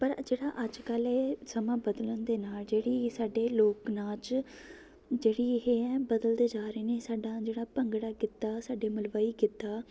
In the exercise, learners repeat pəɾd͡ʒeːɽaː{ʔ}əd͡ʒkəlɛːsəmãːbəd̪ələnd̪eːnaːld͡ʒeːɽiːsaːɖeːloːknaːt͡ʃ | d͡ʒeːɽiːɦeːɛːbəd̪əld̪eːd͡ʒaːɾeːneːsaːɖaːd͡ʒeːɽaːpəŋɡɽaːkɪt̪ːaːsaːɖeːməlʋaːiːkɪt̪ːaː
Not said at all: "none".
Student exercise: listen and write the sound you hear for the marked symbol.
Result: ʔ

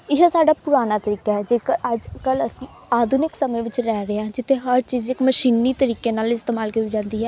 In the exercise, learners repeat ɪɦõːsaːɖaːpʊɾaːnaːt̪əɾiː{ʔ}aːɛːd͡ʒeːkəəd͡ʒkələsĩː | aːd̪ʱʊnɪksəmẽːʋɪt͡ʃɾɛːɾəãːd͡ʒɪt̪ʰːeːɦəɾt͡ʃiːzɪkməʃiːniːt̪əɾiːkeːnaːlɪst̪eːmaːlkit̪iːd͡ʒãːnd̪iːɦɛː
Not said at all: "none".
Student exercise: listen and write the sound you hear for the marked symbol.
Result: k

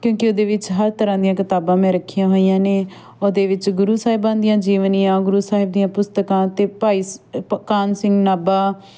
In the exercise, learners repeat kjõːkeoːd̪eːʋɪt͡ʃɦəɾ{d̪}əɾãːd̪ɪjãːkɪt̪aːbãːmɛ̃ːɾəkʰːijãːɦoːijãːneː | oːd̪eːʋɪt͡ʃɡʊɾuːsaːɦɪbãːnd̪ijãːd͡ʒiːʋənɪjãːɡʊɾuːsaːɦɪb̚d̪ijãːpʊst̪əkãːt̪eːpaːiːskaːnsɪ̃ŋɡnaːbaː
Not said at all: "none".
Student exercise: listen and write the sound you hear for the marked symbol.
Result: t̪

